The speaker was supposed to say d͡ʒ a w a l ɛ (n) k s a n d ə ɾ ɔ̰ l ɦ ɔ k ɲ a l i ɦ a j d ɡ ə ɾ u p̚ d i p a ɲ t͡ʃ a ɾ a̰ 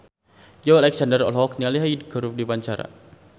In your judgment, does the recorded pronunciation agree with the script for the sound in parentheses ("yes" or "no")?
no